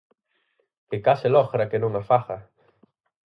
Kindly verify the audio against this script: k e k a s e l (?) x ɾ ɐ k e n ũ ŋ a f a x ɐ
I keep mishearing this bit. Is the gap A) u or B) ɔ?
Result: B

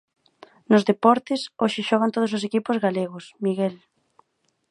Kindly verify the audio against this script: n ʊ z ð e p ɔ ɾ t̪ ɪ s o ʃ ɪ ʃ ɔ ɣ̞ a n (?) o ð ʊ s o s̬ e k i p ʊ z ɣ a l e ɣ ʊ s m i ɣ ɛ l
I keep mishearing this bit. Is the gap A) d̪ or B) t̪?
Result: B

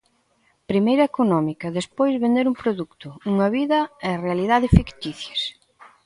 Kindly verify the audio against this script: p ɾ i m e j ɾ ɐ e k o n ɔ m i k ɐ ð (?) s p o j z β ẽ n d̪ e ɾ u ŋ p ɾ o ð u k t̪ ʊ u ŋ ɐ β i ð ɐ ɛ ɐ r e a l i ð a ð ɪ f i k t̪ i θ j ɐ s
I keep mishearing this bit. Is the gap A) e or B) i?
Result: A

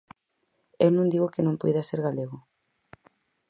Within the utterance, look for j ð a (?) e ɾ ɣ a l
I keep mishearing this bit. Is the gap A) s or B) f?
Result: A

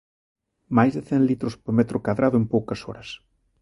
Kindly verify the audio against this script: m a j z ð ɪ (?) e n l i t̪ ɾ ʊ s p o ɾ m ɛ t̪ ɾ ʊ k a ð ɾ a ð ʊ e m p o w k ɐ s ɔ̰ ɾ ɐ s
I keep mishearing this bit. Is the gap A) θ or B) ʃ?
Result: A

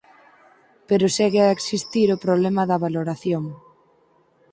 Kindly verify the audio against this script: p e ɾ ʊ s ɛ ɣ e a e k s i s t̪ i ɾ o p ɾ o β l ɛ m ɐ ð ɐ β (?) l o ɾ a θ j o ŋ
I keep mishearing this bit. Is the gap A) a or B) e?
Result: A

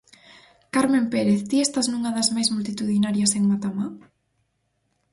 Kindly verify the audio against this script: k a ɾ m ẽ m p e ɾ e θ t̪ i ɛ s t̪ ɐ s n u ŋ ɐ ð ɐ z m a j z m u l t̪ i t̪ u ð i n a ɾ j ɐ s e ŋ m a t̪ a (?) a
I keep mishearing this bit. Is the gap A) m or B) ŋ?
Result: A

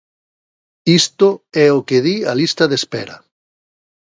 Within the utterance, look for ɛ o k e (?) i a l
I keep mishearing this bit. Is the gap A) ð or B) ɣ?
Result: A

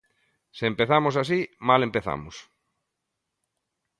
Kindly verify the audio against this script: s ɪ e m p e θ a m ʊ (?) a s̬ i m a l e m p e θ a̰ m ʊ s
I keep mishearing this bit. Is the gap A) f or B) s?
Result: B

